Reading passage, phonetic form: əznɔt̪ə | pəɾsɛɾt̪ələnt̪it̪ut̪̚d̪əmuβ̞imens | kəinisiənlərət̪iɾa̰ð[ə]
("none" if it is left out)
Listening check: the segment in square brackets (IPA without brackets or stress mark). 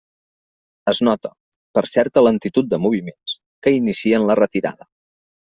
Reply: ə